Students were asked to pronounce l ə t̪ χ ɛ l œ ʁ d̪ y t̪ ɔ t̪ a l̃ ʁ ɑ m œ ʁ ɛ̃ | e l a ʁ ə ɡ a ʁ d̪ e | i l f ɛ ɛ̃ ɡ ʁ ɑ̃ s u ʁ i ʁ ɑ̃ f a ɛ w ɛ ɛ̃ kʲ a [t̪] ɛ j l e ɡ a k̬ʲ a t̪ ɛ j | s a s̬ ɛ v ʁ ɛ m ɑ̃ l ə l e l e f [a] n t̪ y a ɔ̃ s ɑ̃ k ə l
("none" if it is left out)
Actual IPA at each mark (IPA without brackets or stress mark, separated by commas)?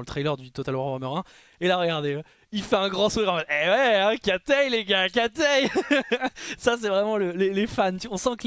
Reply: t̪, a